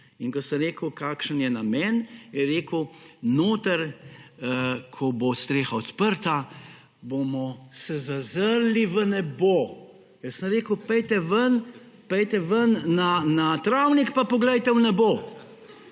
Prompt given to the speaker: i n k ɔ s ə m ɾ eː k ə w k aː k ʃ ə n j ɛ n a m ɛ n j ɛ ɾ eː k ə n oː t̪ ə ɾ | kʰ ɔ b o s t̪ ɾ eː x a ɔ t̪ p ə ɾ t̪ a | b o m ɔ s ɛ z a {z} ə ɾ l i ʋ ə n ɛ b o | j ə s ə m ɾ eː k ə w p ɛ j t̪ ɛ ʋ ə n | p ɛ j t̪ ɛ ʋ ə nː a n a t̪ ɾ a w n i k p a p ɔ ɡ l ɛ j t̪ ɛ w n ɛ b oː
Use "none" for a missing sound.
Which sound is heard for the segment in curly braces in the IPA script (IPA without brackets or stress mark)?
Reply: z